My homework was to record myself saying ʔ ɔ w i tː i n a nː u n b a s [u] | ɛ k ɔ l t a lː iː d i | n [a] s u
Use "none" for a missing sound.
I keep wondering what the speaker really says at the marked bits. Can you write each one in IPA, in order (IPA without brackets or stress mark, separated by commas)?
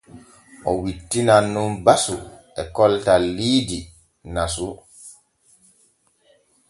u, a